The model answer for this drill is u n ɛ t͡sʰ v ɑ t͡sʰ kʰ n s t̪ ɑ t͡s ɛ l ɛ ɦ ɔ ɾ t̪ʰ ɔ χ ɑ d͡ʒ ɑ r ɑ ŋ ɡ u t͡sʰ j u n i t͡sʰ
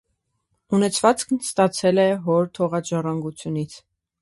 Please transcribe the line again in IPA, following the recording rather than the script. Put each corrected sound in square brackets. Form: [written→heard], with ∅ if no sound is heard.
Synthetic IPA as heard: u n ɛ t͡sʰ v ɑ [t͡sʰ→t͡s] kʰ n s t̪ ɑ [t͡s→t͡sʰ] ɛ l ɛ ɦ ɔ ɾ t̪ʰ ɔ [χ→ʁ] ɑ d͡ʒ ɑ r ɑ ŋ ɡ u t͡sʰ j u n i t͡sʰ